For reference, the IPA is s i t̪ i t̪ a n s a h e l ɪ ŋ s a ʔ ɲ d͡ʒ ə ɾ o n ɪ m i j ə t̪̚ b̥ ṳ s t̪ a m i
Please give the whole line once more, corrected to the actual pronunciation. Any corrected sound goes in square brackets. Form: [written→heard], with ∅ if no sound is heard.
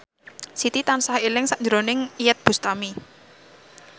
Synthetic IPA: s i t̪ i t̪ a n s a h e l ɪ ŋ s a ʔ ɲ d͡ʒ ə ɾ o n ɪ [m→ŋ] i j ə t̪̚ b̥ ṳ s t̪ a m i